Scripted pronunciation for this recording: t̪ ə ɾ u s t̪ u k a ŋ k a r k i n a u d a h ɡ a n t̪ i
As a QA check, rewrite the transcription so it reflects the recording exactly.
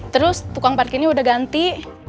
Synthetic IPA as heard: t̪ ə ɾ ʊ s t̪ u k a ŋ p a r k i n i u d a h ɡ a n t̪ i